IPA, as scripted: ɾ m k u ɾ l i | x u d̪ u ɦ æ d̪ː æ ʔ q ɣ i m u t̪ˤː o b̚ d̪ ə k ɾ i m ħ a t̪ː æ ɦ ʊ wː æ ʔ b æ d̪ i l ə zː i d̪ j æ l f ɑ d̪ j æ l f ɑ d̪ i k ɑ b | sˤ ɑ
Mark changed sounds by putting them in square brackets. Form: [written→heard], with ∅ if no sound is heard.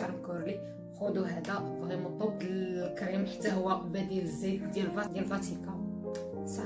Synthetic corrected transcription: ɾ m k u ɾ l i | x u d̪ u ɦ æ [d̪ː→d̪] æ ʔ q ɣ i m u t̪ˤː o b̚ d̪ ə k ɾ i m ħ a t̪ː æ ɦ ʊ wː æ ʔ b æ d̪ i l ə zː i d̪ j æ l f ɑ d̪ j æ l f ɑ [d̪→t̪] i k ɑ [b→∅] | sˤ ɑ